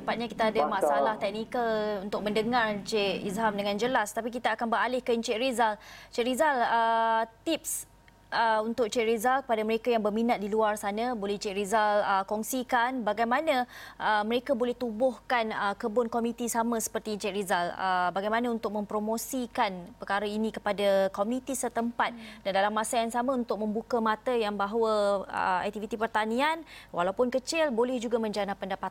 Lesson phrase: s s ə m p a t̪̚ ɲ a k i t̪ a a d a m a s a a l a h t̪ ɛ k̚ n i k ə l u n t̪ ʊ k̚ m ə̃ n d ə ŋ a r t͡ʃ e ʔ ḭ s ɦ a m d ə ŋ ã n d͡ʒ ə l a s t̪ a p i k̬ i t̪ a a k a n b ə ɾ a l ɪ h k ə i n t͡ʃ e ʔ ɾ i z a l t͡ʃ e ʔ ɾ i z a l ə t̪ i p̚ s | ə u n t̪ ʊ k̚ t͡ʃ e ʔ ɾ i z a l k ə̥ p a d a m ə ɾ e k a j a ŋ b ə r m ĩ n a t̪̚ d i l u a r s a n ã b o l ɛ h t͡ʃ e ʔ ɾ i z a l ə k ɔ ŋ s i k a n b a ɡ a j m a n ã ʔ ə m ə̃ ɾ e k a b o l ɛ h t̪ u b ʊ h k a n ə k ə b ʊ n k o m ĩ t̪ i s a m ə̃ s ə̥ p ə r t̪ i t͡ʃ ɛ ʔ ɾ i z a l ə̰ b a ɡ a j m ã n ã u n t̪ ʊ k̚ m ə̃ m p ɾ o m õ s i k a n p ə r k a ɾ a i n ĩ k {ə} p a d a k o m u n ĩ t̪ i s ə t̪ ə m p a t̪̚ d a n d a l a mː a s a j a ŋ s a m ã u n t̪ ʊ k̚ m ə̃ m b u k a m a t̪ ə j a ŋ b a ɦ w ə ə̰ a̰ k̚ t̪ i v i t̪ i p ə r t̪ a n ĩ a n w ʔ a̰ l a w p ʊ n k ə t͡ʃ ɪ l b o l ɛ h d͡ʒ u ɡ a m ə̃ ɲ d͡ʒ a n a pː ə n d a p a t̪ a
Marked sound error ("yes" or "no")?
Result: no